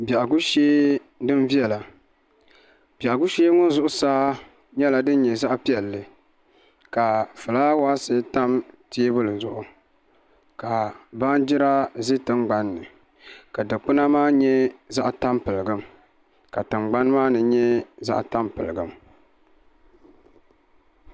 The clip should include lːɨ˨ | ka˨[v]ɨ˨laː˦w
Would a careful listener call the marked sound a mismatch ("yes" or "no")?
yes